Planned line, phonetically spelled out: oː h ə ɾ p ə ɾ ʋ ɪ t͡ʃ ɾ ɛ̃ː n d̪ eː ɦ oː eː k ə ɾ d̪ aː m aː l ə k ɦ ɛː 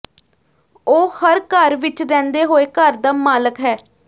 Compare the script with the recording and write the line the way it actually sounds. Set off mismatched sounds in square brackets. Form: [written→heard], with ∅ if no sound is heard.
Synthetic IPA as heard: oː h ə ɾ [p→k] ə ɾ ʋ ɪ t͡ʃ ɾ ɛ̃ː n d̪ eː ɦ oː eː k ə ɾ d̪ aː m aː l ə k ɦ ɛː